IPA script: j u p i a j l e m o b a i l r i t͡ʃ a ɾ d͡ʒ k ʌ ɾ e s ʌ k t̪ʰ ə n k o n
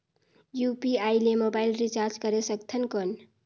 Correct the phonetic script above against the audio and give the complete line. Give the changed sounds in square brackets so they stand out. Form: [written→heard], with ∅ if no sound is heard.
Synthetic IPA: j u p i a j l e m o b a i l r i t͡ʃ a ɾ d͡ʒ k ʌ ɾ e s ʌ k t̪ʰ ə n k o n